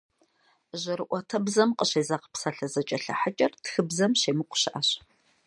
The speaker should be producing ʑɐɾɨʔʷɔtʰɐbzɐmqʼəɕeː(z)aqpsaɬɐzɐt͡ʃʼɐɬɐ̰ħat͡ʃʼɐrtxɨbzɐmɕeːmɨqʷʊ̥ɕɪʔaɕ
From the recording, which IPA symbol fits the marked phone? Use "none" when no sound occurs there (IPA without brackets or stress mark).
z